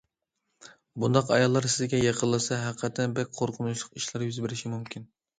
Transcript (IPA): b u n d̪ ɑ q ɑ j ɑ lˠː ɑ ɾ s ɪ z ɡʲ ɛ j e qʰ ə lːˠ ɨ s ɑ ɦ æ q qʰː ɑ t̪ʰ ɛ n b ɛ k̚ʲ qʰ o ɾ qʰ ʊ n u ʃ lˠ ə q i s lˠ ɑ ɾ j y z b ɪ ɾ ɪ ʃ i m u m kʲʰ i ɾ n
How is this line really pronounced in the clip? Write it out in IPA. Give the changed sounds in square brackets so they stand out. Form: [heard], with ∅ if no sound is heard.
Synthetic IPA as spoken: b u n d̪ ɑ q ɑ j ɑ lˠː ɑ ɾ s ɪ z ɡʲ ɛ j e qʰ ə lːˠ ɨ s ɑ ɦ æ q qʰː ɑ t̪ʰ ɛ n b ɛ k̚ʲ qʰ o ɾ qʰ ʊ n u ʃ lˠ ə q i [ʃ] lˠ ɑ ɾ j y z b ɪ ɾ ɪ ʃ i m u m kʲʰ i [∅] n